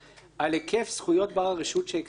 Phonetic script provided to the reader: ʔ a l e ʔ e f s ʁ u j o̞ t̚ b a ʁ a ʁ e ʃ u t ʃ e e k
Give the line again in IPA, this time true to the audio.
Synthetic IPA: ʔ a l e k e f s χ u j o̞ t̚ b a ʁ a ʁ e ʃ u t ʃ e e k

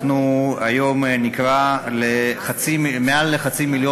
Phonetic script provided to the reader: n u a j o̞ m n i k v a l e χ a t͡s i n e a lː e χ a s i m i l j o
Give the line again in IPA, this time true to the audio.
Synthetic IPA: n u a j o̞ m n i k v a l e χ a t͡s i m e a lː e χ a t͡s i m i l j o

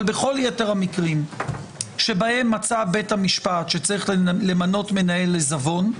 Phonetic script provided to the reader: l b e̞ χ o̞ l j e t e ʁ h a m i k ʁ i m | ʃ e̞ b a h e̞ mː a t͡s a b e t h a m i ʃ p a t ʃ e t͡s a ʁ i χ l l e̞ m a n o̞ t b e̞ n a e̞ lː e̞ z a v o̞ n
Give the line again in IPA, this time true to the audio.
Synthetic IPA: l b e̞ χ o̞ l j e t e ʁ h a m i k ʁ i m | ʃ e̞ b a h e̞ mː a t͡s a b e t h a m i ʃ p a t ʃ e t͡s a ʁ i χ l l e̞ m a n o̞ t m e̞ n a e̞ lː e̞ z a v o̞ n

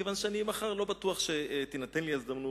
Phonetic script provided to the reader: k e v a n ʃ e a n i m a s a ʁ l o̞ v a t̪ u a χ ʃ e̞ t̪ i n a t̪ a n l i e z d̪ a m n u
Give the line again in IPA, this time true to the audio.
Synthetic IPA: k e v a n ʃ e a n i m a χ a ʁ l o̞ b a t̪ u a χ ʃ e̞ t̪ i n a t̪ e n l i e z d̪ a m n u

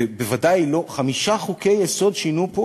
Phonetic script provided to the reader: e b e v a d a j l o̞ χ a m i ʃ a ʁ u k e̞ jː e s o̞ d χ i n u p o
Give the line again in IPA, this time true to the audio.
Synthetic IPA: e b e v a d a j l o̞ χ a m i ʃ a χ u k e̞ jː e s o̞ d ʃ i n u p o

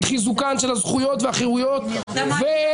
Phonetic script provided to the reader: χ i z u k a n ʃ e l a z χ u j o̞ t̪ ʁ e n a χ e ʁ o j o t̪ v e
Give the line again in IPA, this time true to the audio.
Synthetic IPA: χ i z u k a n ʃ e l a z χ u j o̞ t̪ v e a χ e ʁ u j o t̪ v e

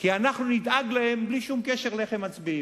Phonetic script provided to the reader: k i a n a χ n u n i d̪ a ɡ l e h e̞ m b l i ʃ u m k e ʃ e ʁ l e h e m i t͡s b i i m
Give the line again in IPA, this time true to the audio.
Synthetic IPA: k i a n a χ n u n i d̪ a ɡ l a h e̞ m b l i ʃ u m k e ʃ e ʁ l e χ e m a t͡s b i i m

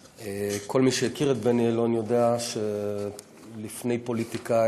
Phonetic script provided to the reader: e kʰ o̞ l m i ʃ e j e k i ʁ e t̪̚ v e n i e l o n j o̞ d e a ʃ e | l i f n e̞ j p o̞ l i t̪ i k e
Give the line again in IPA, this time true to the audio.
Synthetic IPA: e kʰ o̞ l m i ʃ e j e k i ʁ e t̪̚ b e n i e l o n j o̞ d e a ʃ e | l i f n e̞ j p o̞ l i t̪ i k a

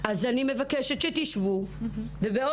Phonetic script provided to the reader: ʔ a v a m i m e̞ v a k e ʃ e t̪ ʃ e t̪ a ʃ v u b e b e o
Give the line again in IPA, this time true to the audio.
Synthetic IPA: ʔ a z a n i m e̞ v a k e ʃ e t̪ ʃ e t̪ i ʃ v u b e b e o

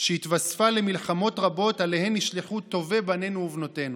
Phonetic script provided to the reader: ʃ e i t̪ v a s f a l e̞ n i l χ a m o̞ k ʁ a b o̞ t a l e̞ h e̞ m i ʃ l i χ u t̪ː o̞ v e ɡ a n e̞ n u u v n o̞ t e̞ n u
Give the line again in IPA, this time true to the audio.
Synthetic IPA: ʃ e i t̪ v a s f a l e̞ m i l χ a m o̞ t ʁ a b o̞ t a l e̞ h e̞ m i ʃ l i χ u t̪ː o̞ v e b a n e̞ n u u v n o̞ t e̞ n u

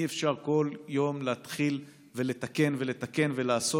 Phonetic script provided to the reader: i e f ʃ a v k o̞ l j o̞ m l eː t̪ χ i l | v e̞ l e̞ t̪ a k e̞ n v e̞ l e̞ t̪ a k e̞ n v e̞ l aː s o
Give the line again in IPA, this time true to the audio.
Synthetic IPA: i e f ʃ a ʁ k o̞ l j o̞ m l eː t̪ χ i l | v e̞ l e̞ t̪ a k e̞ n v e̞ l e̞ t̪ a k e̞ n v e̞ l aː s o

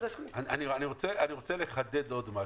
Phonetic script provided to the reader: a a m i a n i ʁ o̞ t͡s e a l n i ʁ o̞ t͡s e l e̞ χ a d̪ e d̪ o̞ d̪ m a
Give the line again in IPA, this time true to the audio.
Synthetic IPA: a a n i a n i ʁ o̞ t͡s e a n i ʁ o̞ t͡s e l e̞ χ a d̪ e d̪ o̞ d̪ m a

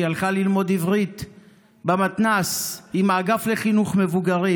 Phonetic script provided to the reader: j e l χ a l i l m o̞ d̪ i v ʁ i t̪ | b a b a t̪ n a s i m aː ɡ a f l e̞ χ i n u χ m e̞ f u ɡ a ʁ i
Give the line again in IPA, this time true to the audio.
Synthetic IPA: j a l χ a l i l m o̞ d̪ i v ʁ i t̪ | b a m a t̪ n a s i m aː ɡ a f l e̞ χ i n u χ m e̞ v u ɡ a ʁ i

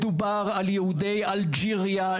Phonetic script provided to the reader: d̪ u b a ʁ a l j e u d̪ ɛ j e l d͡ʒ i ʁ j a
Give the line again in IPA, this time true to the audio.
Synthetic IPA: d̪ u b a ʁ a l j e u d̪ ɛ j a l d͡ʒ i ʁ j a

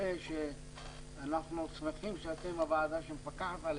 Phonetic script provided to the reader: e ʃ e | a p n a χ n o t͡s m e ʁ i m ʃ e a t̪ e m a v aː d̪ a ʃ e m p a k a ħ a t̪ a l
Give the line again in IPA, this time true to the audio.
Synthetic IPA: e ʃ e | a n a χ n u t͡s m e χ i m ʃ e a t̪ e m a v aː d̪ a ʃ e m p a k a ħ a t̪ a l

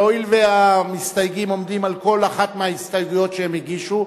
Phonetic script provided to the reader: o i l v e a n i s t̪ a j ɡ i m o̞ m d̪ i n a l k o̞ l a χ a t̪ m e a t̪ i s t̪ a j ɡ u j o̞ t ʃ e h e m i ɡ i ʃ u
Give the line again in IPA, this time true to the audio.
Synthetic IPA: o i l v e a m i s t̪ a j ɡ i m o̞ m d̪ i m a l k o̞ l a χ a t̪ m e a i s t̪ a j ɡ u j o̞ t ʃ e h e m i ɡ i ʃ u

